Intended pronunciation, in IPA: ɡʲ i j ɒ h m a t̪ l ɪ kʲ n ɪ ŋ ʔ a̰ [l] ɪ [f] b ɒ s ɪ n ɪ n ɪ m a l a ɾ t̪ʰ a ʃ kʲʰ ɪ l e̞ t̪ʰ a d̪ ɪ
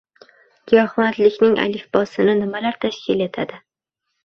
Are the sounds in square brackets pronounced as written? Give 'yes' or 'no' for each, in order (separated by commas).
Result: yes, yes